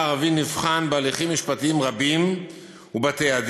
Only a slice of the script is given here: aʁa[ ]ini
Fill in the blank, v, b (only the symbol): v